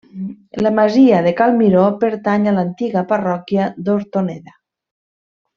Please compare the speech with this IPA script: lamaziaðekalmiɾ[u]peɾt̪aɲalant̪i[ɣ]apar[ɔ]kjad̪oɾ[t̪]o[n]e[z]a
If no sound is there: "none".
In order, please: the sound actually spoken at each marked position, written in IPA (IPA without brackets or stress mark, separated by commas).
o, ɣ, ɔ, t̪, n, ð